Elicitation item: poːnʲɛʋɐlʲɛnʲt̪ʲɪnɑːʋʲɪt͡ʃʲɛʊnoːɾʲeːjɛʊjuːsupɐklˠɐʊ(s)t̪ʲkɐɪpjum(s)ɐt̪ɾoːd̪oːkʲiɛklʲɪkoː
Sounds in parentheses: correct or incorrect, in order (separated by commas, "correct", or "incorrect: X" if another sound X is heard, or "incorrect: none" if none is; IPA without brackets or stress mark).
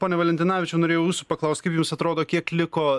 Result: correct, correct